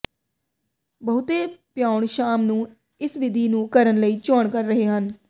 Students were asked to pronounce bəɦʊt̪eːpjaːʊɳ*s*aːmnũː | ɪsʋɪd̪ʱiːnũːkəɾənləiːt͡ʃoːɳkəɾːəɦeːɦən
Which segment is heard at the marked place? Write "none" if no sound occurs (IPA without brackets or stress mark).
ʃ